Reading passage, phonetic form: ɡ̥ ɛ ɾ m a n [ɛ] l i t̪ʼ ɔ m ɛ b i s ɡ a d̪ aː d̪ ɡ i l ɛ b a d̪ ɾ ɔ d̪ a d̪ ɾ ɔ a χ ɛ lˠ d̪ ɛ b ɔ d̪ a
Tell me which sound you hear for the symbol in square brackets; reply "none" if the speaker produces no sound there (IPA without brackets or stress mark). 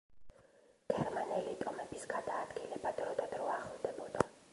ɛ